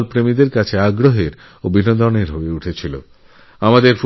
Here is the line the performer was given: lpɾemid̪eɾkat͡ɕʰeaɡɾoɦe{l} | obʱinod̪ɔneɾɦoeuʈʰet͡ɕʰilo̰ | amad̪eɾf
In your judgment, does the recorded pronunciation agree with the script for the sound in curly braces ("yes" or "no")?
no